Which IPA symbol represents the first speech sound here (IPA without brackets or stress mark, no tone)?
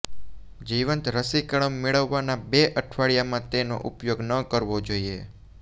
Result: d͡ʒ